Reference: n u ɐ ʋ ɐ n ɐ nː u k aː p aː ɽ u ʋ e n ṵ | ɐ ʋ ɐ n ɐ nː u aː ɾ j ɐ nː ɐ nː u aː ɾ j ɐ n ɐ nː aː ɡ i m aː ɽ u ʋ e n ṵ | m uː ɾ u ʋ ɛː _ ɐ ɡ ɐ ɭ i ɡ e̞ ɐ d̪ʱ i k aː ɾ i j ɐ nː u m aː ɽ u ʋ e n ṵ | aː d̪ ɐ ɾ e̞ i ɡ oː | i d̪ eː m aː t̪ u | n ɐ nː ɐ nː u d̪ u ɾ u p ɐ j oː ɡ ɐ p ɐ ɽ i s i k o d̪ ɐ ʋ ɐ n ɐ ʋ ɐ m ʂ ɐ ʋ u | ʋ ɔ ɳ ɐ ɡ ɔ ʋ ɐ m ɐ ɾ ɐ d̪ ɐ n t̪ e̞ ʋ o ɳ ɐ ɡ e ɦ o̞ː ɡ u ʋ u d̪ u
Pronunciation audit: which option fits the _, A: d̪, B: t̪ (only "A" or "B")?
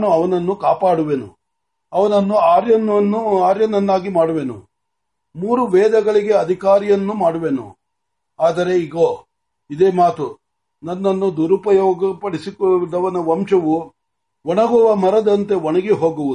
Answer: A